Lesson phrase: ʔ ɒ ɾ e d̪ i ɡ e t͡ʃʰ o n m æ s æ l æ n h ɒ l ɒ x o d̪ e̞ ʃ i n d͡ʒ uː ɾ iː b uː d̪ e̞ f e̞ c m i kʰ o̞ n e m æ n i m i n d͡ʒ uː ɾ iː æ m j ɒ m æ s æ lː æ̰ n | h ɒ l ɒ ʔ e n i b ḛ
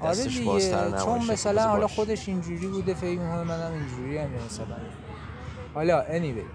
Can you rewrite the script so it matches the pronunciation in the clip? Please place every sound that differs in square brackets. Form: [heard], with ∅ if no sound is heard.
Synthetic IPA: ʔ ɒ ɾ e d̪ i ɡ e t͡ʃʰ o n m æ s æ l æ n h ɒ l ɒ x o d̪ e̞ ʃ i n d͡ʒ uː ɾ iː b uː d̪ e̞ f e̞ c m i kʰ o̞ n e m æ n [æ] m i n d͡ʒ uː ɾ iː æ m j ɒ m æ s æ [l] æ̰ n | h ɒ l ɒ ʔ e n i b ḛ